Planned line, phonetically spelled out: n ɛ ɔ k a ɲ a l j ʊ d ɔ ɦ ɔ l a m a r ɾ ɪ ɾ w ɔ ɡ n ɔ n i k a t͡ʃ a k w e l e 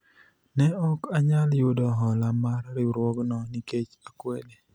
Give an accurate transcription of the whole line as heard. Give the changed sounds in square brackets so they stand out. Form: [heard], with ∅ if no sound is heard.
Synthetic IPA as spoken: n ɛ ɔ k a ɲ a l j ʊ d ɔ ɦ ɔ l a m a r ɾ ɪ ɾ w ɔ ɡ n ɔ n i k [e] t͡ʃ a k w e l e

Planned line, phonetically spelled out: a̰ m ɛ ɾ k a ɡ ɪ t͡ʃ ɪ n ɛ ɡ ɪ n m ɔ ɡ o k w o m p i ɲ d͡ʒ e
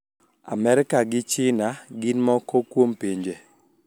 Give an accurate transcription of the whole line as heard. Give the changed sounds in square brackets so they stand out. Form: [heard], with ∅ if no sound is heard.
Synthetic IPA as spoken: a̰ m ɛ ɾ k a ɡ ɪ t͡ʃ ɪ n [a] ɡ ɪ n m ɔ [k] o k w o m p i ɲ d͡ʒ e

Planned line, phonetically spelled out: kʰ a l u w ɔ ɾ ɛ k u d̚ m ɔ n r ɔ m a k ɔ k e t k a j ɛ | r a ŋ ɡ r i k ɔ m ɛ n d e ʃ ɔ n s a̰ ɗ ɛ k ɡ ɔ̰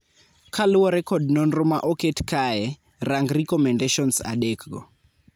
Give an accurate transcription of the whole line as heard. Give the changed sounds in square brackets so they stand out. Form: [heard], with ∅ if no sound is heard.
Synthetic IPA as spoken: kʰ a l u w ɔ ɾ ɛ k [ɔ] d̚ [n] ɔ n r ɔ m a [ʔ] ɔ k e t k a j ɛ | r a ŋ ɡ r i k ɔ m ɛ n d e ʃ ɔ n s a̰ ɗ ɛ k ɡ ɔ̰

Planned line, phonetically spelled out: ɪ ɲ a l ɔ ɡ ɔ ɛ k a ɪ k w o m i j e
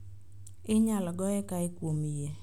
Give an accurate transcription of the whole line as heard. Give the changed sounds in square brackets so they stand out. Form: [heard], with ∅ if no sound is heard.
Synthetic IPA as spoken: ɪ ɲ a l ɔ ɡ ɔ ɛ k a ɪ k w o m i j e

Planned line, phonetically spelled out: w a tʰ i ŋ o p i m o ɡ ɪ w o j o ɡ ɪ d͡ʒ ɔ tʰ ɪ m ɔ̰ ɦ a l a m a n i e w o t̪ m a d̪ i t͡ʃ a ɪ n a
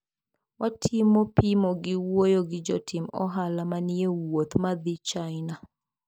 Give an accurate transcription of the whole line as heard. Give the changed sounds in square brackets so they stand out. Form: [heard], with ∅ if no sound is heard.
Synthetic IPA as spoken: w a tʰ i [m] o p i m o ɡ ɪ w o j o ɡ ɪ d͡ʒ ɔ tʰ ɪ m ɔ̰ ɦ a l a m a n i e w o t̪ m a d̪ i t͡ʃ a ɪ n a

